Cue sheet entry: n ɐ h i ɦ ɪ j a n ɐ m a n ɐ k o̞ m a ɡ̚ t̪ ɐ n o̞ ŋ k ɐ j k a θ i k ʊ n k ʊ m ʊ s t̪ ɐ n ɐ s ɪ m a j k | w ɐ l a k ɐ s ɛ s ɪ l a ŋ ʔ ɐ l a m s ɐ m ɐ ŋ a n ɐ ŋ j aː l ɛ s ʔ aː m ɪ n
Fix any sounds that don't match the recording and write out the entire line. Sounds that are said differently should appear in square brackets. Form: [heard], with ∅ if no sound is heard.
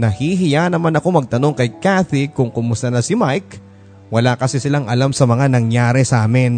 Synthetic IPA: n ɐ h i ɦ ɪ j a n ɐ m a n ɐ k o̞ m [ɐ] ɡ̚ t̪ ɐ n o̞ ŋ k ɐ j k a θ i k ʊ [ŋ] k ʊ m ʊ s t̪ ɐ n ɐ s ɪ m a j k | w ɐ l a k ɐ s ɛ s ɪ l a ŋ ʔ ɐ l a m s ɐ m ɐ ŋ a n ɐ ŋ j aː [ɾ] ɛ s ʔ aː m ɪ n